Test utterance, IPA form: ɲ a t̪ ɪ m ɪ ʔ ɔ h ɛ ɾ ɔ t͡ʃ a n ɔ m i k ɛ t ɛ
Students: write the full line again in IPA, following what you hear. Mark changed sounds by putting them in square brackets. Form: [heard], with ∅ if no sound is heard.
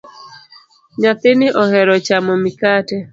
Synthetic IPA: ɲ a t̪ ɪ [n] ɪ ʔ ɔ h ɛ ɾ ɔ t͡ʃ a [m] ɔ m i k [a] t ɛ